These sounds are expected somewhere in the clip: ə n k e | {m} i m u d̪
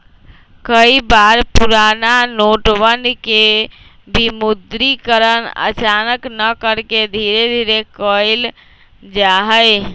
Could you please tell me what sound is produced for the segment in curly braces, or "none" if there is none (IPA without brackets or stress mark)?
b